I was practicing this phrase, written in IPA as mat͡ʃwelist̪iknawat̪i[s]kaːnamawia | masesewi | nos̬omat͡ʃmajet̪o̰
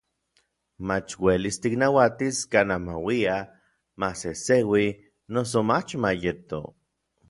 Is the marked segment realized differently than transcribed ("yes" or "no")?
no